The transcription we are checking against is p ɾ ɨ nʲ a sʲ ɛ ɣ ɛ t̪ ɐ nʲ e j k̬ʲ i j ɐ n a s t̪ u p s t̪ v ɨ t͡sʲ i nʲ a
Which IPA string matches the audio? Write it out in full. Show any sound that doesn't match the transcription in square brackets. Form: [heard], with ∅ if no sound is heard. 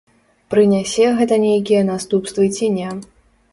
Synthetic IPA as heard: p ɾ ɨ nʲ a sʲ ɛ ɣ ɛ t̪ ɐ nʲ e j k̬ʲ i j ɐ n a s t̪ u p s t̪ v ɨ t͡sʲ i nʲ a